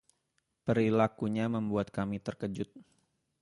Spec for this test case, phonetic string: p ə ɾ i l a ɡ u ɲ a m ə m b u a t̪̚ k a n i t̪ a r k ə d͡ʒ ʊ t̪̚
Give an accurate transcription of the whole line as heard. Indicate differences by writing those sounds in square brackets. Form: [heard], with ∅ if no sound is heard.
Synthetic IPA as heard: p ə ɾ i l a [k] u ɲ a m ə m b u a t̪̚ k a [m] i t̪ [ə] r k ə d͡ʒ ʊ t̪̚